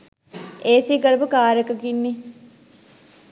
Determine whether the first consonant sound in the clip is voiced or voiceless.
voiceless